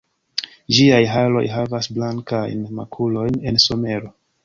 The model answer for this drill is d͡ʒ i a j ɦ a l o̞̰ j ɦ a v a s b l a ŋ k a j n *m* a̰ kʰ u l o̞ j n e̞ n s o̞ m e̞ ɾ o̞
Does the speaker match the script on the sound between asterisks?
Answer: yes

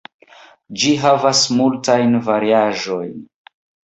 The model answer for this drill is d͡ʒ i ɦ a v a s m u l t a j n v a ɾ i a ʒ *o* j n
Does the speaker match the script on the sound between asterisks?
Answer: yes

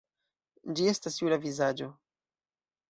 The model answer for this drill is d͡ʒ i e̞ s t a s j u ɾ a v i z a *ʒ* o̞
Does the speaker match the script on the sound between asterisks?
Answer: no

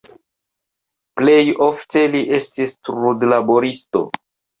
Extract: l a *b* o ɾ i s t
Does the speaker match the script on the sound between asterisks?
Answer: yes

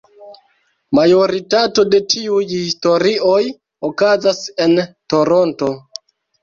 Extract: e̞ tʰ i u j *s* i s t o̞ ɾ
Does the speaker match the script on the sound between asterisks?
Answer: no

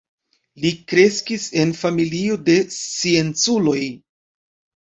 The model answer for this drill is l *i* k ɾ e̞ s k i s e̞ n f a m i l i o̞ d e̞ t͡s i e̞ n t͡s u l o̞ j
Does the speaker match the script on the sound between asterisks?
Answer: yes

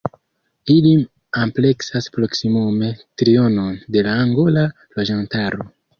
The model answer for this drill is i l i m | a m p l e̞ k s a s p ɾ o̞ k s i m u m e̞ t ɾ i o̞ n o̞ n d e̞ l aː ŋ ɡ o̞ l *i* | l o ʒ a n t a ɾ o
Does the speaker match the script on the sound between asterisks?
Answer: no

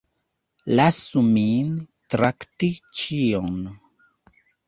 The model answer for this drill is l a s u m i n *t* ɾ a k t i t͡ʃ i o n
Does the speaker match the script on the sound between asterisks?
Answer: yes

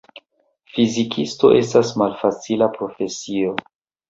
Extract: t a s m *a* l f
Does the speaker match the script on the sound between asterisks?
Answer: yes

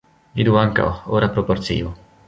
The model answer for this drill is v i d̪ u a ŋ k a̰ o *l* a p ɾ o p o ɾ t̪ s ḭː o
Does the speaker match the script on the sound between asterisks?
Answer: no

